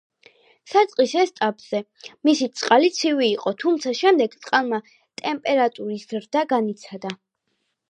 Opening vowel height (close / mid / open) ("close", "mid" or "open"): open